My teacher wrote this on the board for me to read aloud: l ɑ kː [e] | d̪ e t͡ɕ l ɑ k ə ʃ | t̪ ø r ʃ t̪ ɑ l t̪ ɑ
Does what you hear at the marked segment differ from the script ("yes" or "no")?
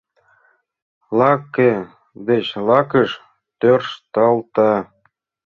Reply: no